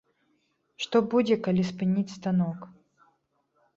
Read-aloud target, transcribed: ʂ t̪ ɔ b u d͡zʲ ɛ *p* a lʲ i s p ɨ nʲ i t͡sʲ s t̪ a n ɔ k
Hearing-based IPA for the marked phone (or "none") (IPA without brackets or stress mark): k